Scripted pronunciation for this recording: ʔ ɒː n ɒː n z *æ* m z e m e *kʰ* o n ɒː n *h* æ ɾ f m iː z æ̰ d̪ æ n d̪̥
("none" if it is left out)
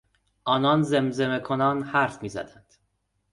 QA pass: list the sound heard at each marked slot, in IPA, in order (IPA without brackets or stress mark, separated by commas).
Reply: e, kʰ, h